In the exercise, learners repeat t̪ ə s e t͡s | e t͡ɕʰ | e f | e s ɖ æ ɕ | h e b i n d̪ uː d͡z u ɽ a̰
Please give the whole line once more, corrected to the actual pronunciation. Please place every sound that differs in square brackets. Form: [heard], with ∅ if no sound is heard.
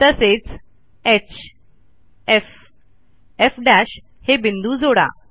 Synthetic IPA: t̪ ə s e t͡s | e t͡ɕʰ | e f | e [f] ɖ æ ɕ | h e b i n d̪ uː d͡z [o] ɽ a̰